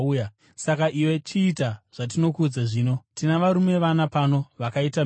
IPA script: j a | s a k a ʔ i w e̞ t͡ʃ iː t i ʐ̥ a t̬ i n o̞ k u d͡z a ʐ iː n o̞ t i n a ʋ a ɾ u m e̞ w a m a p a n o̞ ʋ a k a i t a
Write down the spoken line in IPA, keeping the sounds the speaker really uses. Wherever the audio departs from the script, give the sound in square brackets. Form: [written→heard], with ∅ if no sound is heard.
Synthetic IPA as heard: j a | s a k a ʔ i w e̞ t͡ʃ iː t [i→a] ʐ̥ a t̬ i n o̞ k u d͡z a ʐ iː n o̞ t i n a ʋ a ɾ u m e̞ [w→ʋ] a [m→n] a p a n o̞ ʋ a k a i t a